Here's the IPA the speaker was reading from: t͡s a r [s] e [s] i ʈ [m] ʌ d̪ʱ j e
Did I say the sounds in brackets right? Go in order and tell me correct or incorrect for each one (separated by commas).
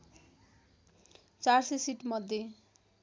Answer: correct, correct, correct